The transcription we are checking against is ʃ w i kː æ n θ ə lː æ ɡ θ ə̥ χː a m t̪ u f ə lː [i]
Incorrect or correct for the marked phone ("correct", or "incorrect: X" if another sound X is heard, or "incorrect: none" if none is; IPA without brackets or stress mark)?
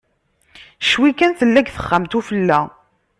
incorrect: æ